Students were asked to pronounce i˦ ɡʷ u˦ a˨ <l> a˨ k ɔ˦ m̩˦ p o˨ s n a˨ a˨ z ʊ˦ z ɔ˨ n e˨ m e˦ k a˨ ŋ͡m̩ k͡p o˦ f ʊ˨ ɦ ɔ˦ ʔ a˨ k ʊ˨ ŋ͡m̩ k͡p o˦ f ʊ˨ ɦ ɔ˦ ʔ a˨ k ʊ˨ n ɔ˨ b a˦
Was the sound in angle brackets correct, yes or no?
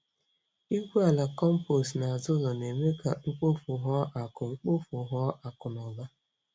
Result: yes